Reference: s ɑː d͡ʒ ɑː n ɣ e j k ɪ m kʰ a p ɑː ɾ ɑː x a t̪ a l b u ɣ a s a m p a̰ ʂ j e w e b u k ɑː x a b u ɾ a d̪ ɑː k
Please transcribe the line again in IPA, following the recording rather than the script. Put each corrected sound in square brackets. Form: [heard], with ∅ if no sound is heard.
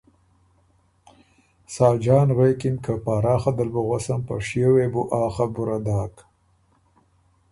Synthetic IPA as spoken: s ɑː d͡ʒ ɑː n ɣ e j k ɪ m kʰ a p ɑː ɾ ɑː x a [d̪] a l b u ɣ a s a m p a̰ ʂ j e w e b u [ʔ] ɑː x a b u ɾ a d̪ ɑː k

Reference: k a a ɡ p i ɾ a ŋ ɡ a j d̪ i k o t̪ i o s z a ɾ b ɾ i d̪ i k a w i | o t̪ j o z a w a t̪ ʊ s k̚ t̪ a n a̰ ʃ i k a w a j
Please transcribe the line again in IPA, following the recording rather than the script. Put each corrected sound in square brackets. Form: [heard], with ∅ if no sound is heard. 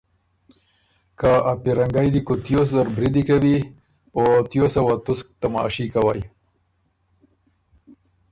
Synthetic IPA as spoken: k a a [∅] p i ɾ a ŋ ɡ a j d̪ i k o t̪ [j] o s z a ɾ b ɾ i d̪ i k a w i | o t̪ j o [s] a w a t̪ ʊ s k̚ t̪ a [m] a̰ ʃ i k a w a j

